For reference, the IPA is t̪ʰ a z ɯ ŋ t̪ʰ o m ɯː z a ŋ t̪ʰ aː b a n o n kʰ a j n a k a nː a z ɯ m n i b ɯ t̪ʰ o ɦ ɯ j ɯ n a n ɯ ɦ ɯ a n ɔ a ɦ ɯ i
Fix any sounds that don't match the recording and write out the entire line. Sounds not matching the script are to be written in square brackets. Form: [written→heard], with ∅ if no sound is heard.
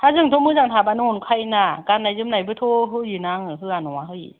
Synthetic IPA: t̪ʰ a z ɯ ŋ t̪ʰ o m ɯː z a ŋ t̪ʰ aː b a n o n kʰ a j n a k a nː a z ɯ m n [i→a] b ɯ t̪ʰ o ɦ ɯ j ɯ n a [n→ŋ] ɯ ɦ ɯ a n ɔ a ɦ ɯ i